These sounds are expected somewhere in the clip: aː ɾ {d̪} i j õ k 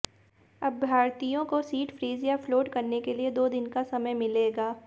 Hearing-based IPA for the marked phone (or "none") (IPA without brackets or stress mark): t̪